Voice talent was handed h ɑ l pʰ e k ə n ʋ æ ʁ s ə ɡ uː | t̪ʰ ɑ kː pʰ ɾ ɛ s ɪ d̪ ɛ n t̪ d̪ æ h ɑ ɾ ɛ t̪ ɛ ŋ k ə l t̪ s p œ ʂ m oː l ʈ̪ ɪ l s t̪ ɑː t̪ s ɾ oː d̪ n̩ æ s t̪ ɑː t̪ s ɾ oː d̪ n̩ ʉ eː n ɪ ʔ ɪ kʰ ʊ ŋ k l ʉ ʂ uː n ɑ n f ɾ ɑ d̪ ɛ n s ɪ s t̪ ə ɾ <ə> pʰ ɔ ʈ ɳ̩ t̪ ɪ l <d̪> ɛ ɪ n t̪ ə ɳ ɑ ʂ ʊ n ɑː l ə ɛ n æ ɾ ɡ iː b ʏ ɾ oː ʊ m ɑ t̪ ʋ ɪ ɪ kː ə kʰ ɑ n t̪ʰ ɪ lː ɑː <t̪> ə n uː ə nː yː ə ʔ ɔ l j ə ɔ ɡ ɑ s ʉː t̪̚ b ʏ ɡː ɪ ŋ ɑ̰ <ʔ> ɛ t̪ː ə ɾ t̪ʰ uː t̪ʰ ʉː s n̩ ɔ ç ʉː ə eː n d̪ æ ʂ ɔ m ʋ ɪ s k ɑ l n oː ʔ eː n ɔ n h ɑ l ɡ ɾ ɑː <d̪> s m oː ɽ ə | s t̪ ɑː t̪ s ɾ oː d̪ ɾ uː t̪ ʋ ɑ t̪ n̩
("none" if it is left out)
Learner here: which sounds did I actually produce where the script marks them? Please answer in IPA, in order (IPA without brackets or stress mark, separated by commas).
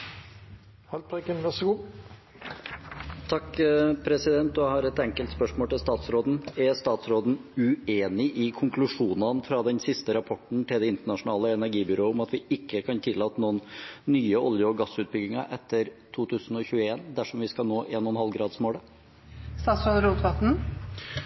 ɑ, d̪, t̪, ʔ, d̪